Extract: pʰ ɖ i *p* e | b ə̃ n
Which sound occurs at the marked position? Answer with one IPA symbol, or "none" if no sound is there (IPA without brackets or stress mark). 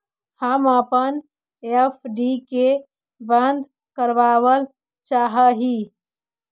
k